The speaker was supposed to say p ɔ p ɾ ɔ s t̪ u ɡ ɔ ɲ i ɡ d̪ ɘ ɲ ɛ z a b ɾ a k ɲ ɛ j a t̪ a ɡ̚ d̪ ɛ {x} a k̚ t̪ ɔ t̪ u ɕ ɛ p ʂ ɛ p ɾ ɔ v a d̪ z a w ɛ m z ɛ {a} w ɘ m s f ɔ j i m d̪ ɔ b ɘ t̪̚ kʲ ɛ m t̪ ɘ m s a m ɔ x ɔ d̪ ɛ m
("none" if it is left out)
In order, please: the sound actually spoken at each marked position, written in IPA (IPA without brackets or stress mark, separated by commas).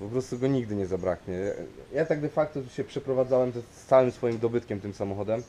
f, a